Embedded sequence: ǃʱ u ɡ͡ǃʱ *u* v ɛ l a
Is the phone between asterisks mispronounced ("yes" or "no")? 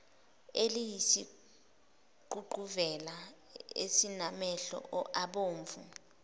no